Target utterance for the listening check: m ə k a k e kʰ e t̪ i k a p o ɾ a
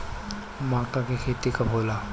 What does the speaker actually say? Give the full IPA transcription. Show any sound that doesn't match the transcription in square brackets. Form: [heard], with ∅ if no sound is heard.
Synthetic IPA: m [a] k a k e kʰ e t̪ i k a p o [l] a

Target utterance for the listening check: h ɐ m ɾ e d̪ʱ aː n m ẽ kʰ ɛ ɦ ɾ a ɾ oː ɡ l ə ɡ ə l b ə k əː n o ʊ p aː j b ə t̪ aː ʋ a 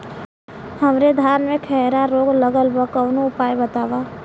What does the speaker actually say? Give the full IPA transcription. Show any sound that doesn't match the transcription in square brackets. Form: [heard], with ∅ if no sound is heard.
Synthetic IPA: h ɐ m ɾ e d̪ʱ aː n m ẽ kʰ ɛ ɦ ɾ a ɾ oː ɡ l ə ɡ ə l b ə k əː n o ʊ p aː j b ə t̪ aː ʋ a

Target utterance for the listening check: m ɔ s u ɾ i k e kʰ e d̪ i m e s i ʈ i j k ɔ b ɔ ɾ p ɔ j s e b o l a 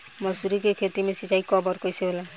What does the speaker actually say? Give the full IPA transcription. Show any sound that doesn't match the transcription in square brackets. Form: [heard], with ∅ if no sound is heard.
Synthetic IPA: m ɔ s u ɾ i k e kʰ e [t̪] i m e s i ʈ [a] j k ɔ b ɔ ɾ [k] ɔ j s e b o l a

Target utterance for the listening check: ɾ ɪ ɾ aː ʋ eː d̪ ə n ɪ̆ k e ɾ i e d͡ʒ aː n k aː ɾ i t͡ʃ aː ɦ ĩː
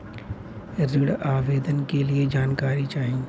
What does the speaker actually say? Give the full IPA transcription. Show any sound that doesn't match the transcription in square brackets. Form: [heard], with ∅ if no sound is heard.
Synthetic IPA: ɾ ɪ [ɽ] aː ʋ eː d̪ ə n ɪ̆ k e [l] i e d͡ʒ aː n k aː ɾ i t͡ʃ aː ɦ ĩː

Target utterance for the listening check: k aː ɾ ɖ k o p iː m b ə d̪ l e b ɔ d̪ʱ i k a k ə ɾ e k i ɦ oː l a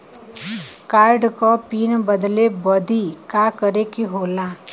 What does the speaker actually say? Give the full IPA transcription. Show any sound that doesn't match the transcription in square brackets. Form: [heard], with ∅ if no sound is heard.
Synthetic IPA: k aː ɾ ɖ k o p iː [n] b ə d̪ l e b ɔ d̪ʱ i k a k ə ɾ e k i ɦ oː l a

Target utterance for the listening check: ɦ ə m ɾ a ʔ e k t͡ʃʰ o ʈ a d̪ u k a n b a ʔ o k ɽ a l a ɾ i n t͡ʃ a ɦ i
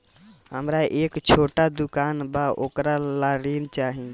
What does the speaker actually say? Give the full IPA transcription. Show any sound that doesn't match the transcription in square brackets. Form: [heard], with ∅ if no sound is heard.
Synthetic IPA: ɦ ə m ɾ a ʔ e k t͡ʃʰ o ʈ a d̪ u k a n b a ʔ o k [ɾ] a l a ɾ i n t͡ʃ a ɦ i

